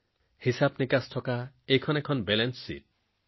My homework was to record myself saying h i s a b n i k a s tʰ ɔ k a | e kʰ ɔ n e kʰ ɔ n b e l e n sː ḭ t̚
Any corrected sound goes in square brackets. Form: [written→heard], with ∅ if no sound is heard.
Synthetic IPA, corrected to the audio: h i s a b n i k a s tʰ ɔ k a | e kʰ ɔ n e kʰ ɔ n b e l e n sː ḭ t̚